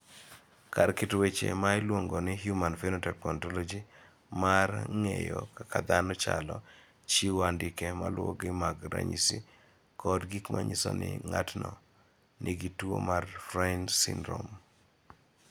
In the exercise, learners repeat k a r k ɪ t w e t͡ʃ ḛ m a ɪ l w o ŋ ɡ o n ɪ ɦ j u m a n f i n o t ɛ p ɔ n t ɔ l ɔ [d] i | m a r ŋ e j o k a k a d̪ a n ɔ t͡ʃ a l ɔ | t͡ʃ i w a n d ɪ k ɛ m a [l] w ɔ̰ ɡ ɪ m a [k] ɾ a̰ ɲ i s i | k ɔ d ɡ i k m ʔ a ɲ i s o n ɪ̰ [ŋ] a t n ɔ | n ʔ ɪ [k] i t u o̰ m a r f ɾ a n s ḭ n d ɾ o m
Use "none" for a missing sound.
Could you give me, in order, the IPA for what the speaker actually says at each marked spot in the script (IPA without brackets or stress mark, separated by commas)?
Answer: d͡ʒ, l, ɡ, ŋ, ɡ